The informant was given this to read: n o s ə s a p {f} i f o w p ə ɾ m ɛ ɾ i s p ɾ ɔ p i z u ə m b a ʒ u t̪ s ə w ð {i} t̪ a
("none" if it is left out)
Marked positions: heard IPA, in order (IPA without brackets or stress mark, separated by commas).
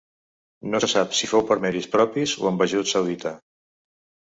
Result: s, i